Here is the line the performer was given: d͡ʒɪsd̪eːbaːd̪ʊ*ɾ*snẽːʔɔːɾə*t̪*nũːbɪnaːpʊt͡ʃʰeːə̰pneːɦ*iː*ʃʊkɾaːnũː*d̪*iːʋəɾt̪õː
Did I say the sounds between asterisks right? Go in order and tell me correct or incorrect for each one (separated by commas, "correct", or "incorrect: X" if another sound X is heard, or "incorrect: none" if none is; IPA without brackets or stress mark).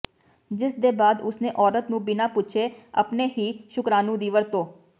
incorrect: none, correct, correct, correct